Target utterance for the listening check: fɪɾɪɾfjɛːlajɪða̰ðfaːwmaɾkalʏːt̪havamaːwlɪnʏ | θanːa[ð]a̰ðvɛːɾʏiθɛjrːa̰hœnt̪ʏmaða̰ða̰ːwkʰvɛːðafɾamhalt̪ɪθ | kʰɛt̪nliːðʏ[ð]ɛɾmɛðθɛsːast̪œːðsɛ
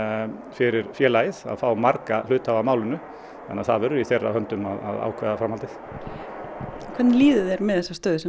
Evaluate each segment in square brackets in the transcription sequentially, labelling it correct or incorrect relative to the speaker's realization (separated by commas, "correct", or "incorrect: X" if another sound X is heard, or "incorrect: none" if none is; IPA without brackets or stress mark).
incorrect: θ, correct